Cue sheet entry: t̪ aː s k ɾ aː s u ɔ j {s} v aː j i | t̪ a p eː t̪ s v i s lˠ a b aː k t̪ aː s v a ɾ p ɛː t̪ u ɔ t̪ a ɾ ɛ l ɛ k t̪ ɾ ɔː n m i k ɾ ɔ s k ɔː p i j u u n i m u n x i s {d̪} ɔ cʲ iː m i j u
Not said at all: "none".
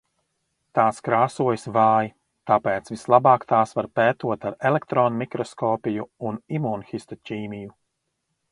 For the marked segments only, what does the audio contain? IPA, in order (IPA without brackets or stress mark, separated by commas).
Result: s, t̪